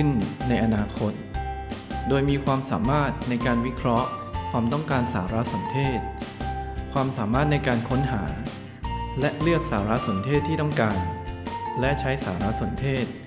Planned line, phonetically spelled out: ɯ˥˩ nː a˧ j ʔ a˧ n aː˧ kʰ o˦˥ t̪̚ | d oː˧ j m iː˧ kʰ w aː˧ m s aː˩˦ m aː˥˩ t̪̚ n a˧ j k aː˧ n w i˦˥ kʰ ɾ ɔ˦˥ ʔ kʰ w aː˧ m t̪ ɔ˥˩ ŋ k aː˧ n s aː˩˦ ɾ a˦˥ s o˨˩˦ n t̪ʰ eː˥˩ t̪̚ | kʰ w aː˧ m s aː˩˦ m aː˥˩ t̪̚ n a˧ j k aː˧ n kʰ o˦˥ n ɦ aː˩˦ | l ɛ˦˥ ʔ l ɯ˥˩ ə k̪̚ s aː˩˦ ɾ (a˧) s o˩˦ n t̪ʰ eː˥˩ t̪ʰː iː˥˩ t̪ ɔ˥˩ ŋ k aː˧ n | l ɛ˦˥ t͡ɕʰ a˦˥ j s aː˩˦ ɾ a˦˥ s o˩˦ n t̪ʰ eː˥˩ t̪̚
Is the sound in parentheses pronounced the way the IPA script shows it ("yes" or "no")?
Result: no